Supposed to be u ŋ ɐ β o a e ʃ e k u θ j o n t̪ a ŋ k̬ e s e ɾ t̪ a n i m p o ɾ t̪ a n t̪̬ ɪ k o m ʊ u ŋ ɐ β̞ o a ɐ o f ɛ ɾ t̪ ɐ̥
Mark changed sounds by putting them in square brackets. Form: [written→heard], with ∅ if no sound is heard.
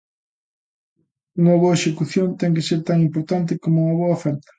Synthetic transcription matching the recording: u ŋ ɐ β o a e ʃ e k u θ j o n t̪ [a→ɛ] ŋ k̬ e s e ɾ t̪ a [n→ŋ] i m p o ɾ t̪ a n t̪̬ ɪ k o m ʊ u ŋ ɐ β̞ o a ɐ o f ɛ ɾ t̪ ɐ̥

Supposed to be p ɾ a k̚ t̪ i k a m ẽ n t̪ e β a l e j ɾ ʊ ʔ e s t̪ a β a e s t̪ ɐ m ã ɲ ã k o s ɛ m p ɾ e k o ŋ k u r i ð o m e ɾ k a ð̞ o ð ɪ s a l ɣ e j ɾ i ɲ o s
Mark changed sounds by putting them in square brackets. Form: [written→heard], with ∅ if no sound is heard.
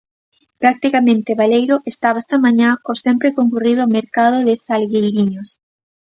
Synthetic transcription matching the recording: p ɾ a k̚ t̪ i k a m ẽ n t̪ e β a l e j ɾ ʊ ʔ e s t̪ a β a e s t̪ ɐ m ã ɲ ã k o s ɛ m p ɾ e k o ŋ k u r i ð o m e ɾ k a ð̞ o ð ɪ s a l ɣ e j ɾ i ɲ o s

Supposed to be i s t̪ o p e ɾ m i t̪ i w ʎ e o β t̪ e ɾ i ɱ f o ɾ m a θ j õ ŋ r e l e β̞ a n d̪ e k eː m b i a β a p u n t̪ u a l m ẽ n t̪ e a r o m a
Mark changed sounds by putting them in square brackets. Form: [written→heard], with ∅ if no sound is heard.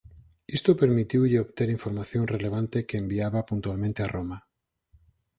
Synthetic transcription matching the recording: i s t̪ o p e ɾ m i t̪ i w ʎ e o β t̪ e ɾ i ɱ f o ɾ m a θ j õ ŋ r e l e β̞ a n [d̪→t̪] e k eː m b i a β a p u n t̪ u a l m ẽ n t̪ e a r o m a

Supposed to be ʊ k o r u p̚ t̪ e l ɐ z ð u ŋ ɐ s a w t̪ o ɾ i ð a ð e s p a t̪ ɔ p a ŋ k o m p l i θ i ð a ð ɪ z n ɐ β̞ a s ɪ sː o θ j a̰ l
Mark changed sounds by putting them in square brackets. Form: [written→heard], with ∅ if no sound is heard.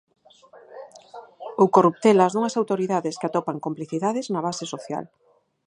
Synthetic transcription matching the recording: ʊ k o r u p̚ t̪ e l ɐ z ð u ŋ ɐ s a w t̪ o ɾ i ð a ð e s [p→k] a t̪ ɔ p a ŋ k o m p l i θ i ð a ð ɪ z n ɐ β̞ a s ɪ [sː→s] o θ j a̰ l

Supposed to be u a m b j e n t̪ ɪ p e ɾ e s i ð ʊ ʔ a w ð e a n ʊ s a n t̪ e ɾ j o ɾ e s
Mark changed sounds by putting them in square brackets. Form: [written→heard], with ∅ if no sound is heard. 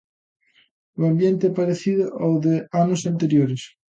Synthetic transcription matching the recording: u a m b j e n t̪ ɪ p [e→a] ɾ e [s→θ] i ð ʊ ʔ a w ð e a n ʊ s a n t̪ e ɾ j o ɾ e s

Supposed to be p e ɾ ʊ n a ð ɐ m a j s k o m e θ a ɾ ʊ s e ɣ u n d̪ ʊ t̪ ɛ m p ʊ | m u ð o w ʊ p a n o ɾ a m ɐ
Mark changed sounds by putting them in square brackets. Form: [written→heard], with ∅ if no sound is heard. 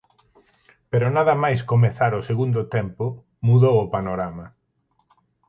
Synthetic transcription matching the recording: p e ɾ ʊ n a ð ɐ m a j s k o m e θ a ɾ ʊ s e ɣ u n d̪ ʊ t̪ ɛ m p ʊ | m u ð o w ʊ p a n o ɾ a m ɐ

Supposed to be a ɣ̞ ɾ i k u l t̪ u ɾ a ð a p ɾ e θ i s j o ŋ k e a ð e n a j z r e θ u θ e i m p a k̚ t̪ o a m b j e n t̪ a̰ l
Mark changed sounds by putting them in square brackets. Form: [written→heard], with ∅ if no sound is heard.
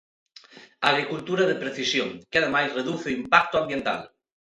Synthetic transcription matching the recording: a ɣ̞ ɾ i k u l t̪ u ɾ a ð [a→e] p ɾ e θ i s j o ŋ k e a ð e [n→m] a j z r e [θ→ð] u θ e i m p a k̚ t̪ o a m b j e n t̪ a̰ l

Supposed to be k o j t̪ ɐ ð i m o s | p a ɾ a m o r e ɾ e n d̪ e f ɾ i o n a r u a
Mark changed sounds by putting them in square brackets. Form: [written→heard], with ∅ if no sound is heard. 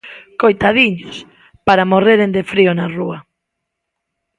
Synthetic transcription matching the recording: k o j t̪ [ɐ→a] ð i [m→ɲ] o s | p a ɾ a m o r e ɾ e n d̪ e f ɾ i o n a r u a

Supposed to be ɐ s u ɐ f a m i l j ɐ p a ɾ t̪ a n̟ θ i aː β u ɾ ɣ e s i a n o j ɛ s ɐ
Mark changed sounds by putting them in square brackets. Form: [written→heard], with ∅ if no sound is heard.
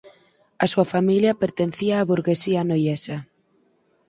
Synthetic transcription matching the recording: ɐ s u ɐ f a m i l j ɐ p [a→e] ɾ t̪ [a→e] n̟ θ i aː β u ɾ ɣ e s i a n o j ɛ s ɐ

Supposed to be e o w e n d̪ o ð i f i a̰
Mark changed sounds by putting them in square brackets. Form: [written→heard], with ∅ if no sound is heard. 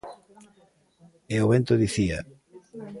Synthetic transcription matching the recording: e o [w→β] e n [d̪→t̪] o ð i [f→θ] i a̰

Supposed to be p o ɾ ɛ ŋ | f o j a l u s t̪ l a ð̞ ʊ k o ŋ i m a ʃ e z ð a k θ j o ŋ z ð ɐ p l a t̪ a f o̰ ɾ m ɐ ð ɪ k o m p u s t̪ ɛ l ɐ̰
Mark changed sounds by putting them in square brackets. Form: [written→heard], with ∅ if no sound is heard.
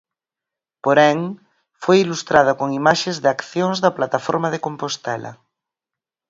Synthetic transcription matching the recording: p o ɾ ɛ ŋ | f o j [a→i] l u s t̪ [l→ɾ] a ð̞ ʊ k o ŋ i m a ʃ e z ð a k θ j o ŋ z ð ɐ p l a t̪ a f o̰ ɾ m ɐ ð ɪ k o m p [u→o] s t̪ ɛ l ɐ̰

